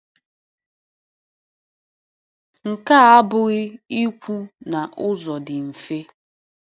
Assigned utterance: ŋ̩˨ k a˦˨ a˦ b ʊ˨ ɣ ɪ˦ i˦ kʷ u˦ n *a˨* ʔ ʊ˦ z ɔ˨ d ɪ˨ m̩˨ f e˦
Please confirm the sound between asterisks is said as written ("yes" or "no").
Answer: yes